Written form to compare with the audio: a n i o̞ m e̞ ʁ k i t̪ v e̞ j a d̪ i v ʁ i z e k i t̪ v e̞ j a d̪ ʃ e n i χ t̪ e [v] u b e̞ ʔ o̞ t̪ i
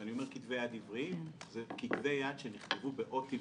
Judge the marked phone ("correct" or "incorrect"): correct